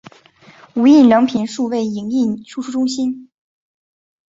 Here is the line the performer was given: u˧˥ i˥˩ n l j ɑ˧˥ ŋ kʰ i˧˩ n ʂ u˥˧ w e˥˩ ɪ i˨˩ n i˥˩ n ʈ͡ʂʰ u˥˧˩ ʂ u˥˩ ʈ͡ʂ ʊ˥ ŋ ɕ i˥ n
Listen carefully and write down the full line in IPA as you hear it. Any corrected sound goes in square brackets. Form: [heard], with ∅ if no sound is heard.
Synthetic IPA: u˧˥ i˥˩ n l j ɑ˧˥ ŋ [pʰ] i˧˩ n ʂ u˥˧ w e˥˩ ɪ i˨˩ [ŋ] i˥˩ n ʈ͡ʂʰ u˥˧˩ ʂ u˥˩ ʈ͡ʂ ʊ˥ ŋ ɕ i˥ n

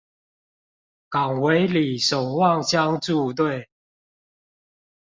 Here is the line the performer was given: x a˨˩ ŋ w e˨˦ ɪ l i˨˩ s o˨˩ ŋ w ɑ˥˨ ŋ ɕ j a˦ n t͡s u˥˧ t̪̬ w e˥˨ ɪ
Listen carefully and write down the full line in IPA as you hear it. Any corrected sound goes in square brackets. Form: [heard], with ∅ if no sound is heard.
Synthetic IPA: [k] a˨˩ ŋ w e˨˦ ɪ l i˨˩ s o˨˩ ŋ w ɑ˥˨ ŋ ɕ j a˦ [ŋ] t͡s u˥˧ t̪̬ w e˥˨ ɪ

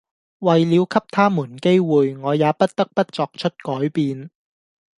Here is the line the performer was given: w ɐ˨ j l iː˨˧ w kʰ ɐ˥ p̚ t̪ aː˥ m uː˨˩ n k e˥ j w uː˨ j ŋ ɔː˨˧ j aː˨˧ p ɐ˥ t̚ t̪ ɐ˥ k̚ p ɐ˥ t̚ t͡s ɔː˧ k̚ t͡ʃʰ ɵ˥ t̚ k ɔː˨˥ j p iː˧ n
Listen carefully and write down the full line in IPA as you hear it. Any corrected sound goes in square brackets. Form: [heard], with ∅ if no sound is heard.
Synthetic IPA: w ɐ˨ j l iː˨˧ w kʰ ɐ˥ p̚ [t̪ʰ] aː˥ m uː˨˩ n k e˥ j w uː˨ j ŋ ɔː˨˧ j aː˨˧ p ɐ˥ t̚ t̪ ɐ˥ k̚ p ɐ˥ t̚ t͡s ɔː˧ k̚ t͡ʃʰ ɵ˥ t̚ k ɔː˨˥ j p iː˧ n

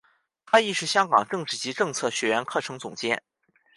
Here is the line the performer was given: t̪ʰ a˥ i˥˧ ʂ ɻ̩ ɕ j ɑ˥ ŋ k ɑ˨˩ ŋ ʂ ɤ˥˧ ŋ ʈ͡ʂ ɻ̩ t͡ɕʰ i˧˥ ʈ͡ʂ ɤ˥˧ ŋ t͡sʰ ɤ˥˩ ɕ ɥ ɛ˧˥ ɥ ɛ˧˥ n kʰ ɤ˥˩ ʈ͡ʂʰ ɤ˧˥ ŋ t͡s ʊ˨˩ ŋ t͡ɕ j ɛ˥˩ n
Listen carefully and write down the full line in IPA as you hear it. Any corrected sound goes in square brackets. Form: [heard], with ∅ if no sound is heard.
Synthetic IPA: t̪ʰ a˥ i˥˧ ʂ ɻ̩ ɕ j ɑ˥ ŋ k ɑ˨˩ ŋ [ʈ͡ʂ] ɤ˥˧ ŋ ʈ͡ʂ ɻ̩ [t͡ɕ] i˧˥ ʈ͡ʂ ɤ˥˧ ŋ t͡sʰ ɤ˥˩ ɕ ɥ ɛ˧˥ ɥ ɛ˧˥ n kʰ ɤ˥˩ ʈ͡ʂʰ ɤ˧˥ ŋ t͡s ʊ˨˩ ŋ t͡ɕ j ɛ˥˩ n

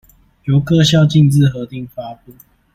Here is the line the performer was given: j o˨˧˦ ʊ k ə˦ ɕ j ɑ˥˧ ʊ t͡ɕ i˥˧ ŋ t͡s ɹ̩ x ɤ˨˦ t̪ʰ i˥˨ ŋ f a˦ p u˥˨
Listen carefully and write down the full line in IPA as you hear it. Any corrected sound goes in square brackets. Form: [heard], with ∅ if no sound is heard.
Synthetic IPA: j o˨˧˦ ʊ k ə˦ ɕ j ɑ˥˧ ʊ t͡ɕ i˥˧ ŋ t͡s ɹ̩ x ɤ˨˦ [t̪] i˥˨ ŋ f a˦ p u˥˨

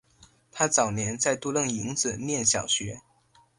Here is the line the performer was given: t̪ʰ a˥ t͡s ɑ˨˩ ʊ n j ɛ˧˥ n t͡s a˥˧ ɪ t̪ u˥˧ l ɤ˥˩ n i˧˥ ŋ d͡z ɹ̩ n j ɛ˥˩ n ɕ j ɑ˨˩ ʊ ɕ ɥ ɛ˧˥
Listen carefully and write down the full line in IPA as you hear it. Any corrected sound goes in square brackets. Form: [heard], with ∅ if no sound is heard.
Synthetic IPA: t̪ʰ a˥ t͡s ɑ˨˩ ʊ n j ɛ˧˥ n t͡s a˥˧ ɪ t̪ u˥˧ l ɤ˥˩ [ŋ] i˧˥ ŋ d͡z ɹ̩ n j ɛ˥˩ n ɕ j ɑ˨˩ ʊ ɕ ɥ ɛ˧˥

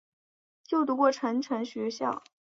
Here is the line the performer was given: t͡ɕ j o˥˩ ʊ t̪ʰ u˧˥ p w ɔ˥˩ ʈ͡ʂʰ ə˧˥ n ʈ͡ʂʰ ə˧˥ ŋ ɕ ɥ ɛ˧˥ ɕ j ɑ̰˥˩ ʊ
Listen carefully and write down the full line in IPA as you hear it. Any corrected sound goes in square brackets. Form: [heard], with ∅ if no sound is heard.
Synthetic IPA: t͡ɕ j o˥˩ ʊ [t̪] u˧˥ [k] w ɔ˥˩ ʈ͡ʂʰ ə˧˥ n ʈ͡ʂʰ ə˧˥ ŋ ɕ ɥ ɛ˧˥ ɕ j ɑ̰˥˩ ʊ

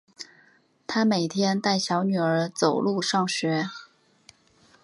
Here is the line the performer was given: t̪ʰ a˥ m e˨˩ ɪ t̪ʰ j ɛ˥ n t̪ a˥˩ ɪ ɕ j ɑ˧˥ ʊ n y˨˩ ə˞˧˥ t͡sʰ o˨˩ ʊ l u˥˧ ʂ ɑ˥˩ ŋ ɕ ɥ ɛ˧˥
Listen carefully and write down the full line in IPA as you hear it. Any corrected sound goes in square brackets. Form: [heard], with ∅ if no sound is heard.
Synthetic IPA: t̪ʰ a˥ m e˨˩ ɪ t̪ʰ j ɛ˥ n t̪ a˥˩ ɪ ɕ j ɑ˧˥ ʊ n y˨˩ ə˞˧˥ [t͡s] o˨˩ ʊ l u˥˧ ʂ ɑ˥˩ ŋ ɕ ɥ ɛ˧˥

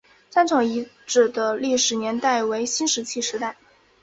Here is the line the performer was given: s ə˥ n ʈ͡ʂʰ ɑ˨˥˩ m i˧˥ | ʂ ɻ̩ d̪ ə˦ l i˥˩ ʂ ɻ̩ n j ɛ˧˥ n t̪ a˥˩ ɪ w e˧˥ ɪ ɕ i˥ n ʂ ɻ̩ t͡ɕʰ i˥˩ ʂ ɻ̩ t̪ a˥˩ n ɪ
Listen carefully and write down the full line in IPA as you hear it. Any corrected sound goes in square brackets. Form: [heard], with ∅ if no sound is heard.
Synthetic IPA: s [a˥] n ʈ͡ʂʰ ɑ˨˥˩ [ŋ] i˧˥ | [ʈ͡ʂ] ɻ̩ d̪ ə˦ l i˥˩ ʂ ɻ̩ n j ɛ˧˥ n t̪ a˥˩ ɪ w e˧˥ ɪ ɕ i˥ n ʂ ɻ̩ t͡ɕʰ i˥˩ ʂ ɻ̩ t̪ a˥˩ [∅] ɪ

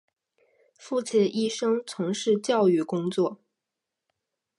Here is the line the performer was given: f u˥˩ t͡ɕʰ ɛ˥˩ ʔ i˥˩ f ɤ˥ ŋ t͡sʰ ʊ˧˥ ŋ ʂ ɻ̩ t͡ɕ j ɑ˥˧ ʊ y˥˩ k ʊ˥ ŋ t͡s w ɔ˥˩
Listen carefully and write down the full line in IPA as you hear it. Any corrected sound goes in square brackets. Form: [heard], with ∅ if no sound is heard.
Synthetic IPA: f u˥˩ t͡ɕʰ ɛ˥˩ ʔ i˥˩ [ʂ] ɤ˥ ŋ t͡sʰ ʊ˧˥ ŋ ʂ ɻ̩ t͡ɕ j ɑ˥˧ ʊ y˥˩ k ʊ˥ ŋ t͡s w ɔ˥˩

